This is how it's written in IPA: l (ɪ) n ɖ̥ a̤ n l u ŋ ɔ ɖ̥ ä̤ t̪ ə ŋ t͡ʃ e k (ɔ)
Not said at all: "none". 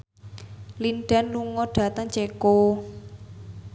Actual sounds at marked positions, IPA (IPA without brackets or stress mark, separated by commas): i, o